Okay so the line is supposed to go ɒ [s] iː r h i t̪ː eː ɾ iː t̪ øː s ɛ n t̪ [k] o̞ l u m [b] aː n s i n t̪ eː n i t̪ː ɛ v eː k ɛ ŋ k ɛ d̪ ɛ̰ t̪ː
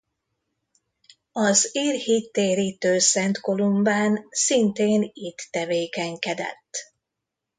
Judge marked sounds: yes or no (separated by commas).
no, yes, yes